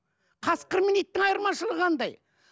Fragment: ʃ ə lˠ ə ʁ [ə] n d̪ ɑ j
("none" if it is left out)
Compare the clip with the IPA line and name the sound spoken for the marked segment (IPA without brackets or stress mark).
ɑ